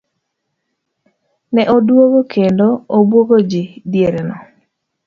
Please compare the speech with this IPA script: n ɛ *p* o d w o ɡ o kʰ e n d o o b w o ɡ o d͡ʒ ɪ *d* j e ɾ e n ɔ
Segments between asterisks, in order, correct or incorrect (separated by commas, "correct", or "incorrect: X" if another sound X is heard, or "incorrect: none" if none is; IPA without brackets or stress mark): incorrect: ʔ, correct